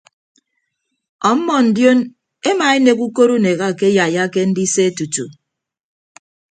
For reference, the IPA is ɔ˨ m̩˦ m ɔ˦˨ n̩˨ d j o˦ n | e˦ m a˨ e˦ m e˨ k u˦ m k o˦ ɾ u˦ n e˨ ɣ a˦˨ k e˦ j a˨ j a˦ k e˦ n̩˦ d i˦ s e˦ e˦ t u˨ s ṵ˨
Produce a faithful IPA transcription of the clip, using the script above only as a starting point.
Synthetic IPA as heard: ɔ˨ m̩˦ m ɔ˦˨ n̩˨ d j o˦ n | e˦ m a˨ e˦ n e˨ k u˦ k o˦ ɾ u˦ n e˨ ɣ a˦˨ k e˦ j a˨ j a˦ k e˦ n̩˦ d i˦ s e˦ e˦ t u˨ t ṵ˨